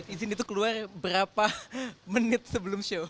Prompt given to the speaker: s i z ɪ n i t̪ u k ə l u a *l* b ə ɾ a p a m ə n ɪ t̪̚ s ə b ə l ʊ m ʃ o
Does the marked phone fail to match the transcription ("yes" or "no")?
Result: yes